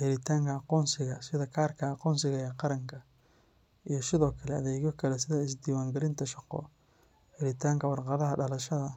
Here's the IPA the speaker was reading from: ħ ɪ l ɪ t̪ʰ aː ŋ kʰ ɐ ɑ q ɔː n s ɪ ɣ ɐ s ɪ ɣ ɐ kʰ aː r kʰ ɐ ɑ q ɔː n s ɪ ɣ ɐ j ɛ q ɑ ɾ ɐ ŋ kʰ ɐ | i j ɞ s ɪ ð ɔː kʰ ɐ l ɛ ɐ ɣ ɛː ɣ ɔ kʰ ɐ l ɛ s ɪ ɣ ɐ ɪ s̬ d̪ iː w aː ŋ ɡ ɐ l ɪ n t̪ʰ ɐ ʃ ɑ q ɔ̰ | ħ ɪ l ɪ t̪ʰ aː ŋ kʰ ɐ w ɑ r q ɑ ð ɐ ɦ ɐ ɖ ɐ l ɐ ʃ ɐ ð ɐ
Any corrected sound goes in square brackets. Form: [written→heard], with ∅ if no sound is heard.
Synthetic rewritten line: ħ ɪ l ɪ t̪ʰ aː ŋ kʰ ɐ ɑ q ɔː n s ɪ ɣ ɐ s ɪ [ɣ→ð] ɐ kʰ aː r kʰ ɐ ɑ q ɔː n s ɪ ɣ ɐ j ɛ q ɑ ɾ ɐ ŋ kʰ ɐ | i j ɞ s ɪ ð ɔː kʰ ɐ l ɛ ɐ [ɣ→ð] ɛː ɣ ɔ kʰ ɐ l ɛ s ɪ [ɣ→ð] ɐ ɪ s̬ d̪ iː w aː ŋ ɡ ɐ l ɪ n t̪ʰ ɐ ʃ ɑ q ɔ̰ | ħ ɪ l ɪ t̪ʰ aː ŋ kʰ ɐ w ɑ r q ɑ ð ɐ ɦ ɐ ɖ ɐ l ɐ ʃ ɐ ð ɐ